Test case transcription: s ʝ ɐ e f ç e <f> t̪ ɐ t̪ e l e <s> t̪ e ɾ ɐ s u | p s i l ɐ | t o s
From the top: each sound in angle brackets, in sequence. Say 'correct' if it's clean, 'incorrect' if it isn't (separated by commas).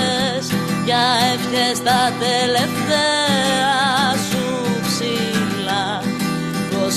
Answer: incorrect, incorrect